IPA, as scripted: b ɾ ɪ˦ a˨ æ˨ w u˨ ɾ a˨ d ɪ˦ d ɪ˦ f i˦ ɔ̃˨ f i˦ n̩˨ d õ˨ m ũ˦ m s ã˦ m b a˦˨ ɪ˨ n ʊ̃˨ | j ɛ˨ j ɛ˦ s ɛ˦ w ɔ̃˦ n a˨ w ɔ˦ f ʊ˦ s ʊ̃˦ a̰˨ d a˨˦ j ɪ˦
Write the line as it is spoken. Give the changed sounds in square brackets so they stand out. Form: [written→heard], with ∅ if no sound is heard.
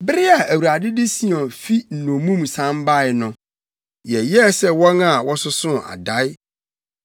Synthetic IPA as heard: b ɾ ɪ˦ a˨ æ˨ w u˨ ɾ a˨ d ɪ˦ d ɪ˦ [f→s] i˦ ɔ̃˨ f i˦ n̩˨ [d→n] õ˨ m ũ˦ m s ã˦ m b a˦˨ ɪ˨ n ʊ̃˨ | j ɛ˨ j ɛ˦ s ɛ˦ w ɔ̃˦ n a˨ w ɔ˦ [f→s] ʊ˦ s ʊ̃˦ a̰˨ d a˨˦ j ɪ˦